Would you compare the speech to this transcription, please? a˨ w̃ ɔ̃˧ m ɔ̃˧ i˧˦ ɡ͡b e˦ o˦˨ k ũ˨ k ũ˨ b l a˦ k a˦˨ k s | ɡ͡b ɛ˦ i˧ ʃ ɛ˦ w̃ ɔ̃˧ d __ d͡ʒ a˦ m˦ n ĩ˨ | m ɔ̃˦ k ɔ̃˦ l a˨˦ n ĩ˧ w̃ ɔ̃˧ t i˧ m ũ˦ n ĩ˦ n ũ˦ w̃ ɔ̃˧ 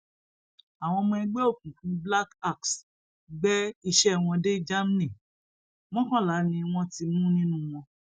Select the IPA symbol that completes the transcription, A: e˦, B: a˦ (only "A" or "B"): A